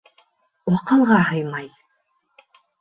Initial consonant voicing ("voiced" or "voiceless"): voiced